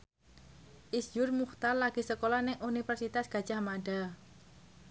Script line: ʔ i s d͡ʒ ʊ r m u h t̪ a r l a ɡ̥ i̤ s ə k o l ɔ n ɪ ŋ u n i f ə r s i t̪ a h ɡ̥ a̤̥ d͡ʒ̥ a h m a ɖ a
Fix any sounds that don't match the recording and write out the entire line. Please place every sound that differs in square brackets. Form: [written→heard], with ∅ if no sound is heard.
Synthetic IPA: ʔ i s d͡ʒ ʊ r m u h t̪ a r l a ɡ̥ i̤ s ə k o l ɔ n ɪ ŋ u n i f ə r s i t̪ a [h→s] ɡ̥ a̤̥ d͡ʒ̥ a h m a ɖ a